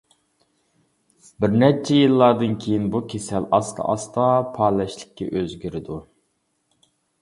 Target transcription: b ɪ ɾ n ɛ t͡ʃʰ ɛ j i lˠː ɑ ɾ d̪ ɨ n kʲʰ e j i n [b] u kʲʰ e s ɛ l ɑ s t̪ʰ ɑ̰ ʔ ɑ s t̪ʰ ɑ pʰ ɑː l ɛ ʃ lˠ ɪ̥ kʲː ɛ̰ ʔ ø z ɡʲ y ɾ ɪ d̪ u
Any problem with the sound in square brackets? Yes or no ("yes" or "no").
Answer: no